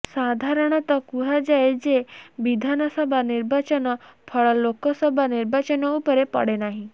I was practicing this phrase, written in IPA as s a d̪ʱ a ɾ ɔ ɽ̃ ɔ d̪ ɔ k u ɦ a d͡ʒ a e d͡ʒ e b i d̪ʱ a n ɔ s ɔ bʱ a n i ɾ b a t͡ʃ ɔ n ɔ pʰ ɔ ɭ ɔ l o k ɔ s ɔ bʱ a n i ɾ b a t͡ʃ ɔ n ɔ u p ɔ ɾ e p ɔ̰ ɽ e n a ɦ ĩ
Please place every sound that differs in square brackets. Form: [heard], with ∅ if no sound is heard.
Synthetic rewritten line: s a d̪ʱ a ɾ ɔ ɽ̃ ɔ [t̪] ɔ k u ɦ a d͡ʒ a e d͡ʒ e b i d̪ʱ a n ɔ s ɔ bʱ a n i ɾ b a t͡ʃ ɔ n ɔ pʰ ɔ ɭ ɔ l o k ɔ s ɔ bʱ a n i ɾ b a t͡ʃ ɔ n ɔ u p ɔ ɾ e p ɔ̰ ɽ e n a ɦ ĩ